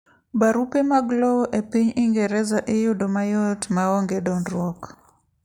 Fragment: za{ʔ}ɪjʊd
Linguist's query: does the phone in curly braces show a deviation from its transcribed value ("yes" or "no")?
no